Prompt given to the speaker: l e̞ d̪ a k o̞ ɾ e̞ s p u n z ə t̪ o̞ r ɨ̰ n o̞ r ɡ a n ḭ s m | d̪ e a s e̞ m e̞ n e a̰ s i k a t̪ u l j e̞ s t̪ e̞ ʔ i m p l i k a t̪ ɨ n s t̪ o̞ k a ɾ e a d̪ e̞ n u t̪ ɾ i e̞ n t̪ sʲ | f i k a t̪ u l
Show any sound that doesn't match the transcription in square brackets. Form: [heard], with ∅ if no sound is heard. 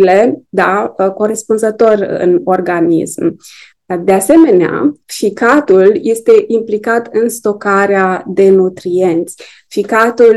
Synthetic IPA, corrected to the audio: l e̞ d̪ a k o̞ ɾ e̞ s p u n z ə t̪ o̞ r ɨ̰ n o̞ r ɡ a n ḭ s m | d̪ e a s e̞ m e̞ n e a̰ [f] i k a t̪ u l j e̞ s t̪ e̞ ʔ i m p l i k a t̪ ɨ n s t̪ o̞ k a ɾ e a d̪ e̞ n u t̪ ɾ i e̞ n t̪ sʲ | f i k a t̪ u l